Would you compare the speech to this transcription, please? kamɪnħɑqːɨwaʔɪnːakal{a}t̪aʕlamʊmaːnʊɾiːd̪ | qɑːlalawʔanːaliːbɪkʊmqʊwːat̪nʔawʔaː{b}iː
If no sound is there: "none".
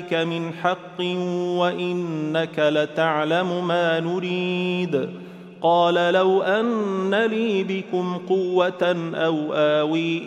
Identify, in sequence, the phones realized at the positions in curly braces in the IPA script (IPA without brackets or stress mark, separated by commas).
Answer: a, w